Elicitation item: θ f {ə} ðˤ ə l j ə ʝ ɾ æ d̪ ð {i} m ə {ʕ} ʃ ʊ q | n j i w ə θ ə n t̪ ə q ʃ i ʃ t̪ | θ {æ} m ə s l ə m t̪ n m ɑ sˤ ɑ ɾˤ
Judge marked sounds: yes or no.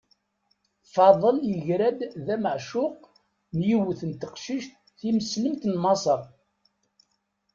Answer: no, no, yes, no

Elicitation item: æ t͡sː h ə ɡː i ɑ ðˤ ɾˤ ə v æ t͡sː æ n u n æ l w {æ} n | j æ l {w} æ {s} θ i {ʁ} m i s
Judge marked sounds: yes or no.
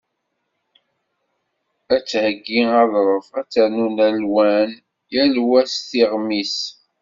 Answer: yes, yes, yes, yes

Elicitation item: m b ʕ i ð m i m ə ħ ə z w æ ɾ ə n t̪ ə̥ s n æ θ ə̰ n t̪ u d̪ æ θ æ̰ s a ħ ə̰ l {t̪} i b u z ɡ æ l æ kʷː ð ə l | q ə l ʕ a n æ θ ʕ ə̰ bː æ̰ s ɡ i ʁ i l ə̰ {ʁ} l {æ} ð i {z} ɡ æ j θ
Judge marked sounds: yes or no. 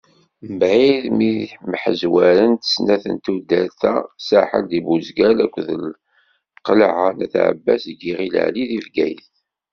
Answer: no, no, no, no

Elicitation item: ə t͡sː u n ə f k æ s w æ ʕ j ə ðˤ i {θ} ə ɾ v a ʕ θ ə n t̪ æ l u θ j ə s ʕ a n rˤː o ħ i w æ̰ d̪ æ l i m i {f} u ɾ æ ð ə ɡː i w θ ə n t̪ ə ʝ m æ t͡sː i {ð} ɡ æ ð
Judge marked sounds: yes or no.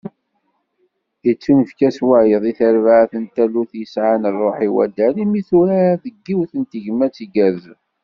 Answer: yes, no, no

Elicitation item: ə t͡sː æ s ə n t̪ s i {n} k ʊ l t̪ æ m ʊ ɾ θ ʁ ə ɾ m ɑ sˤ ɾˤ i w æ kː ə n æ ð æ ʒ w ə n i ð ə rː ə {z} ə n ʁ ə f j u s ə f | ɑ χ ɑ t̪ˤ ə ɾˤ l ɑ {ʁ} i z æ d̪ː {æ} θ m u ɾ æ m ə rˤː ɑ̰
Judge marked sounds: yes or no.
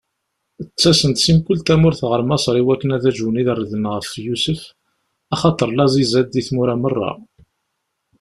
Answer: no, no, no, no

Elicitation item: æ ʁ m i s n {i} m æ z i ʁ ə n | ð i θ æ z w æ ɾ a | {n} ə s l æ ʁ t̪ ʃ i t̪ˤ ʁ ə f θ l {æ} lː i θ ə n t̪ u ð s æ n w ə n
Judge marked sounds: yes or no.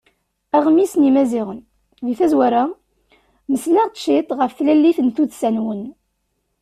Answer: yes, no, yes

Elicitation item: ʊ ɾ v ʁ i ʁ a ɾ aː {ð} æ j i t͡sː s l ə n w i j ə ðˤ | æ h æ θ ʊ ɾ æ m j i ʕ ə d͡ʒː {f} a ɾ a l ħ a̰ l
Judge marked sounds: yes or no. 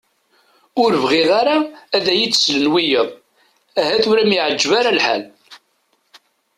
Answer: yes, no

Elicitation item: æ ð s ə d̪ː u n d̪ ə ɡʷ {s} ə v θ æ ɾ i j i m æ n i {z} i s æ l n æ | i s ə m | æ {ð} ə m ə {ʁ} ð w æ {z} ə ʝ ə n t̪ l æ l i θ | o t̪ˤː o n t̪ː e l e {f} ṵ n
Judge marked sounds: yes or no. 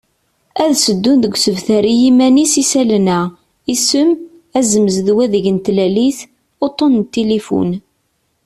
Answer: yes, no, no, no, no, yes

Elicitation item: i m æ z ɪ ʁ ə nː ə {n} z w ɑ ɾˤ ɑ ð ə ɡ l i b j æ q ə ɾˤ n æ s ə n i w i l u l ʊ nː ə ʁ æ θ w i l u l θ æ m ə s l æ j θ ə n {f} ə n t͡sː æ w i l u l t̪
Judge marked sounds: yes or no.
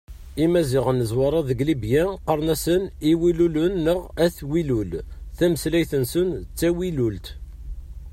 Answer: no, no

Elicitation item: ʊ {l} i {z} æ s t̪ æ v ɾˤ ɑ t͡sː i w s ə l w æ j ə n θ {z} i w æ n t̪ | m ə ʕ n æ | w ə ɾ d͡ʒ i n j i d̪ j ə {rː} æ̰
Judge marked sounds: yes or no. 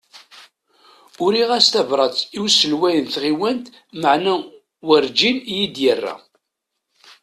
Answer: no, no, no, yes

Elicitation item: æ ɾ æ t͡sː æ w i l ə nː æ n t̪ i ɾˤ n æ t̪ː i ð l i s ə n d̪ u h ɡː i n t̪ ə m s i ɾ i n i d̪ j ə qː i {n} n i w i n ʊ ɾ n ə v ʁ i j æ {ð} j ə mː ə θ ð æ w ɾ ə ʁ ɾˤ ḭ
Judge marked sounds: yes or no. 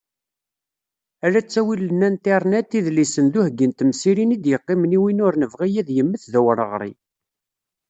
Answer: no, yes

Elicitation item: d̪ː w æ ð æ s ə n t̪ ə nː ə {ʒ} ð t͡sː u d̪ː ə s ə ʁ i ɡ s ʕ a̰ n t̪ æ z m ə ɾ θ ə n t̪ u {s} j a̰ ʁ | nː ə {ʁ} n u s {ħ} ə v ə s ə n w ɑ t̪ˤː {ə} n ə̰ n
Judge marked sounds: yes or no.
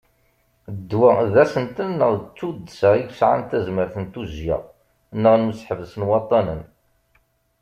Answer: no, no, yes, yes, no

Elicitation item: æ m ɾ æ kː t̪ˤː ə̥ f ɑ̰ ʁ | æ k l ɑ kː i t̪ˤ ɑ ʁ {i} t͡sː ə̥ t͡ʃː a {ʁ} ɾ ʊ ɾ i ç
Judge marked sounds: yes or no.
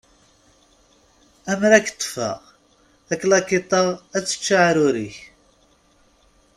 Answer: no, no

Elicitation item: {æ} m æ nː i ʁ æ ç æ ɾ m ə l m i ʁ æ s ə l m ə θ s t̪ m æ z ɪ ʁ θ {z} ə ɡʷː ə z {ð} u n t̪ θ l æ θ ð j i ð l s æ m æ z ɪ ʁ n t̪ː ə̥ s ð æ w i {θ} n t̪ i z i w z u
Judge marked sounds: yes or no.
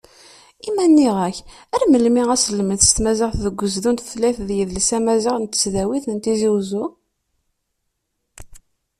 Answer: no, no, yes, yes

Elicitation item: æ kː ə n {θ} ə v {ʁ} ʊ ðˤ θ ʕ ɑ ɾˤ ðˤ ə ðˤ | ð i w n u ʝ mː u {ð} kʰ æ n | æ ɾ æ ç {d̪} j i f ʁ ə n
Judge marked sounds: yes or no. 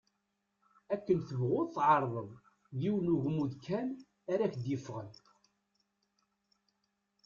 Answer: yes, yes, yes, yes

